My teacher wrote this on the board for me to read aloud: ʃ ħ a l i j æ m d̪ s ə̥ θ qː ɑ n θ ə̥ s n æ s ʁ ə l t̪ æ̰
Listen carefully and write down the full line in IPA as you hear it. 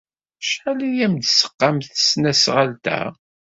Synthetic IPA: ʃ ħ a l i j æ m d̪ s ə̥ qː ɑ m θ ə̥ s n æ s ʁ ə l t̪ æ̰